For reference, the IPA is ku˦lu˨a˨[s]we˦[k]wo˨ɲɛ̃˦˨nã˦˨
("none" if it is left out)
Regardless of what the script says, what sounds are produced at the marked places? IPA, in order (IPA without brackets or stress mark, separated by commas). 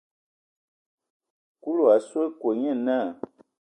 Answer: s, k